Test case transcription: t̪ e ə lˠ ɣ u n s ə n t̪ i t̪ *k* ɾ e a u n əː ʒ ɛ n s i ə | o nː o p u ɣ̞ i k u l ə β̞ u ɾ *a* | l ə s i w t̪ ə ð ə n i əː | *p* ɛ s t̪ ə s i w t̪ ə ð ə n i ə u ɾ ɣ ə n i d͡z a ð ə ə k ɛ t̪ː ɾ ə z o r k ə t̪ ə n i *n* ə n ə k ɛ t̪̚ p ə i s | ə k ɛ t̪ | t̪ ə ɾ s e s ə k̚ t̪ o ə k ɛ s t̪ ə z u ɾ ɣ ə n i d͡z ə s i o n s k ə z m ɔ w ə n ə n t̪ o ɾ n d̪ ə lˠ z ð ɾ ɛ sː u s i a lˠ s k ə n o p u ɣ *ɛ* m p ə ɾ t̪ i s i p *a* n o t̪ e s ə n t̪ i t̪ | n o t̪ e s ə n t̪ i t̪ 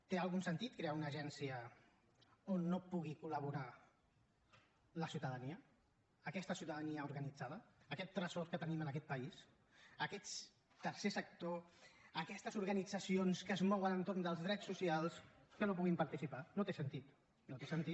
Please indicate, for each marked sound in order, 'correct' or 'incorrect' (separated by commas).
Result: correct, correct, incorrect, incorrect, incorrect, correct